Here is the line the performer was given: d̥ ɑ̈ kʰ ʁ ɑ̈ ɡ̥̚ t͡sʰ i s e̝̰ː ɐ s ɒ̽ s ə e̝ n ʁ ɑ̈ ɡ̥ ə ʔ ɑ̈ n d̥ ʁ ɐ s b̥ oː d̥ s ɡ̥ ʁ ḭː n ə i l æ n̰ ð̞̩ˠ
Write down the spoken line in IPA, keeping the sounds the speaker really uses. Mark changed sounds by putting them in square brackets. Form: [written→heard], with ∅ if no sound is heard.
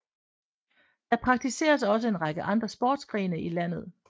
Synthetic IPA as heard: d̥ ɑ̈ [kʰ→pʰ] ʁ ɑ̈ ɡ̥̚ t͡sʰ i s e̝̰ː ɐ s ɒ̽ s ə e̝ n ʁ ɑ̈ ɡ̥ ə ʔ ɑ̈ n d̥ ʁ ɐ s b̥ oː d̥ s ɡ̥ ʁ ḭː n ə i l æ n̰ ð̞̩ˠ